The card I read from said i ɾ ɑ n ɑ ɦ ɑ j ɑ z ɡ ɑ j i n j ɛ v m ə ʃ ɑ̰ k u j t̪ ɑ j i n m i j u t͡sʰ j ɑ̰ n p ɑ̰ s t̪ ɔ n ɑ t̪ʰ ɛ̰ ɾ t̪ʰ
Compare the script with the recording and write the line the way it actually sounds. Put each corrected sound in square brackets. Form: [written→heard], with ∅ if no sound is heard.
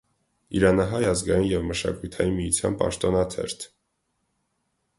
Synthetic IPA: i ɾ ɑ n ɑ ɦ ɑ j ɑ z ɡ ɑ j i n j ɛ v m ə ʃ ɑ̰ k u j [t̪→t̪ʰ] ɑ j i n m i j u t͡sʰ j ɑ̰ n p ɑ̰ [s→ʃ] t̪ ɔ n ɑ t̪ʰ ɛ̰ ɾ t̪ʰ